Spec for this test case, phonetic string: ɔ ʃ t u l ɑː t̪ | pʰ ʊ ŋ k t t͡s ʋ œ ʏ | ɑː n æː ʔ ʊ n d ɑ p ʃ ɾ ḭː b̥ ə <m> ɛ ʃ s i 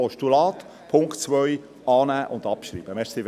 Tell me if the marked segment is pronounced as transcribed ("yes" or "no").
yes